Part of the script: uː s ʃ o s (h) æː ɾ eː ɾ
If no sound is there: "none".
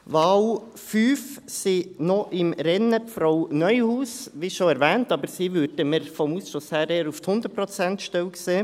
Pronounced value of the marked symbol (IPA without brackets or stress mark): h